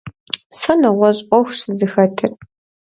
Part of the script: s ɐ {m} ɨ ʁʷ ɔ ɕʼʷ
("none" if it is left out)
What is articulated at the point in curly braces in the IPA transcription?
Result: n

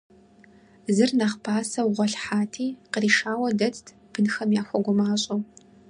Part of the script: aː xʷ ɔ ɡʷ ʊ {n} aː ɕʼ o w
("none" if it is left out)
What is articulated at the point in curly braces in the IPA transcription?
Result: m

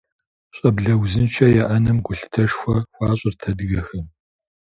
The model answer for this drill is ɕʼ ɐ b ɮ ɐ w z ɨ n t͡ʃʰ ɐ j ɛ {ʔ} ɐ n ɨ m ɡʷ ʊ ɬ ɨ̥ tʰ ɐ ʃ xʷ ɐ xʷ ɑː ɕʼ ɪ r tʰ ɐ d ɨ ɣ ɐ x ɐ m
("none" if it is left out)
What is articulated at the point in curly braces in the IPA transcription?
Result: ʔ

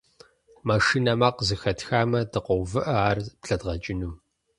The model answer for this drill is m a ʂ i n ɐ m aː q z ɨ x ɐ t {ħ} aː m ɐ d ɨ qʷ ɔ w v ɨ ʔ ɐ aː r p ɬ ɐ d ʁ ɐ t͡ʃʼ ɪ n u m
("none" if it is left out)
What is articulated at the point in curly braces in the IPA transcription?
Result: x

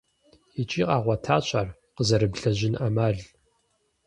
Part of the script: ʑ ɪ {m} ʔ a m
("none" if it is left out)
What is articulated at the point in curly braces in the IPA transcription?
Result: n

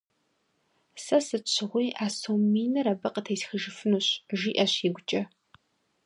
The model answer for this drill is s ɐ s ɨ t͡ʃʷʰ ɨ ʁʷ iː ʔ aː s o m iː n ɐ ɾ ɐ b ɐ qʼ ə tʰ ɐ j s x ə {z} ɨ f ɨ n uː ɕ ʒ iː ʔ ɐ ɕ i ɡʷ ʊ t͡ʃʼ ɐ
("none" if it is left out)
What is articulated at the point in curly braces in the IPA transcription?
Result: ʒ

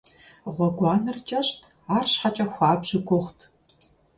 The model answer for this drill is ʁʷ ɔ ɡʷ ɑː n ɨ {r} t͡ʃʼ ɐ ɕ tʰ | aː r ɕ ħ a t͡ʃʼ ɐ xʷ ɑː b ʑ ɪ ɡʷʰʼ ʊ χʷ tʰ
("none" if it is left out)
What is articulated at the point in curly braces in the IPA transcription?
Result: r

